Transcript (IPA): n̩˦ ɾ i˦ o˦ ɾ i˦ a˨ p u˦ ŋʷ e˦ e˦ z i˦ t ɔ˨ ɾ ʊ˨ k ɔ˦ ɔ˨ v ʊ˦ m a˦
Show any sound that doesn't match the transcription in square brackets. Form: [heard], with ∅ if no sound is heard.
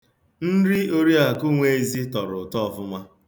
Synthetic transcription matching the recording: n̩˦ ɾ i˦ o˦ ɾ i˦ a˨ [k] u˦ ŋʷ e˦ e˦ z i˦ t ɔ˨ ɾ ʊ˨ [t] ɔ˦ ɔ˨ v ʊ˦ m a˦